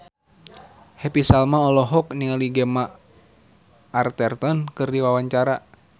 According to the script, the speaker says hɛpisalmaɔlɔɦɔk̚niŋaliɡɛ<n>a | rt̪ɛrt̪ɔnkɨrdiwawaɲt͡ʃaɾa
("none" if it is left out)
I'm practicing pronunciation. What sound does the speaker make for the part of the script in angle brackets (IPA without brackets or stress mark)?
m